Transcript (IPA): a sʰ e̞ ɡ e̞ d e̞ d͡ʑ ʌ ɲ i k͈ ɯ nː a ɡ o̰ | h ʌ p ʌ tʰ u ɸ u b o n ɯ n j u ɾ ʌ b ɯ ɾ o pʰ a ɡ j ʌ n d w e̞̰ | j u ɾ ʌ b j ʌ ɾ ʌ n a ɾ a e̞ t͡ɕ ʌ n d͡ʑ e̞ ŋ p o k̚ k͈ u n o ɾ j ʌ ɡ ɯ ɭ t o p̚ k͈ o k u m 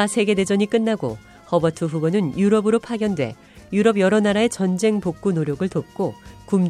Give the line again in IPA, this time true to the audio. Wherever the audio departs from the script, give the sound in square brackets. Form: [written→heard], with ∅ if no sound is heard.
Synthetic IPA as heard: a sʰ e̞ ɡ e̞ d e̞ d͡ʑ ʌ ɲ i k͈ ɯ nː a ɡ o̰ | h ʌ [p→b] ʌ tʰ [u→ɯ] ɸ u b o n ɯ n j u ɾ ʌ b ɯ ɾ o pʰ a ɡ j ʌ n d w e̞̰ | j u ɾ ʌ b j ʌ ɾ ʌ n a ɾ a e̞ t͡ɕ ʌ n d͡ʑ e̞ ŋ p o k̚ k͈ u n o ɾ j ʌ ɡ ɯ ɭ t o p̚ k͈ o k u m